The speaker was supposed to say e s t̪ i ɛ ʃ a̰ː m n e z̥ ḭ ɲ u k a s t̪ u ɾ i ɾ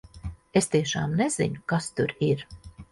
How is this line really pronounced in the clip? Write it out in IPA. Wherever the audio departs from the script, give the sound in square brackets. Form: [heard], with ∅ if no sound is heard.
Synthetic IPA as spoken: e s t̪ i ɛ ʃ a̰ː m n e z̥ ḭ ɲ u k a s t̪ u ɾ i ɾ